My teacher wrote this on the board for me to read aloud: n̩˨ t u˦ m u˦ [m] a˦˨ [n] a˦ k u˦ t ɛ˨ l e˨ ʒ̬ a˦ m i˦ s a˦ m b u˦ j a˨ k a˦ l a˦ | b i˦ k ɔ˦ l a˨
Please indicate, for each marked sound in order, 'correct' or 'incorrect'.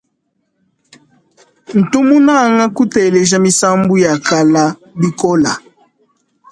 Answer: incorrect: n, incorrect: ŋ

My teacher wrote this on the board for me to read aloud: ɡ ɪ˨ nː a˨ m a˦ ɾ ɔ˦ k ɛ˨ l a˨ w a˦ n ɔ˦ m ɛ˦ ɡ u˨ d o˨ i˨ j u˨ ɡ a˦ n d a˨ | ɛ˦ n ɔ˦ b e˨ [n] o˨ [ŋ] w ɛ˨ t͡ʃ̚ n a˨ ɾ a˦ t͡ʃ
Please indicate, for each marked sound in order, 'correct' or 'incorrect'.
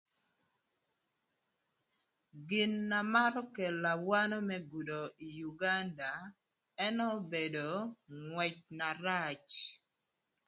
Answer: incorrect: d, correct

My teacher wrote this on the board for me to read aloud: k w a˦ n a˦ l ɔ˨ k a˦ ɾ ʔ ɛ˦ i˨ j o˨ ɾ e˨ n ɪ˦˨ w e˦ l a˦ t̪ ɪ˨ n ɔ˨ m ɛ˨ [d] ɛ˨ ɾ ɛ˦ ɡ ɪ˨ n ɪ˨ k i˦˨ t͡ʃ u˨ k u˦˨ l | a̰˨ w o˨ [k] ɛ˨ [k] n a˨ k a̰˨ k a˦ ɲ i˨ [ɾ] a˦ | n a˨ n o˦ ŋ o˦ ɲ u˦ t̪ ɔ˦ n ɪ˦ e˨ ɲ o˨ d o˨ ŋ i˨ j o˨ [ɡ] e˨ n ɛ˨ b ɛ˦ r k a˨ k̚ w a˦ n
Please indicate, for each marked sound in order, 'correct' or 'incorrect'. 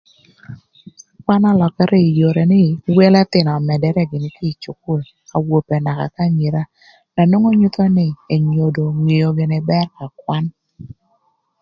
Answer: correct, incorrect: p, incorrect: none, correct, correct

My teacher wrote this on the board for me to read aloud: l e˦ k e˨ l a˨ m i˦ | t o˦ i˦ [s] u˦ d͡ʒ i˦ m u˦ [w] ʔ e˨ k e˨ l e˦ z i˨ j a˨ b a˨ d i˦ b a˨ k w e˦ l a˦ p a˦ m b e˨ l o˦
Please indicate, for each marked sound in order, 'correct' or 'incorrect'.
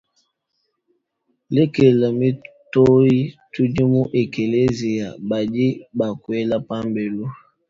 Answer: incorrect: t, incorrect: none

